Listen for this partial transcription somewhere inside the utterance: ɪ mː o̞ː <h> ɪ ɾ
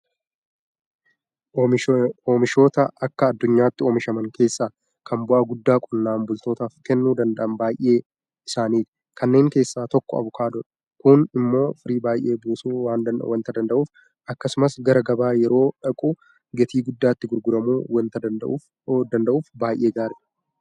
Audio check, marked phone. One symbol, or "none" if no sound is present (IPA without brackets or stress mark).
f